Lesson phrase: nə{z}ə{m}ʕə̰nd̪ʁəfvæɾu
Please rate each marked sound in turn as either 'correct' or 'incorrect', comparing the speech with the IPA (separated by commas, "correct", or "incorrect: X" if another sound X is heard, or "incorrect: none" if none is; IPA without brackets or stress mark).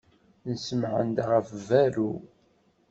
incorrect: s, correct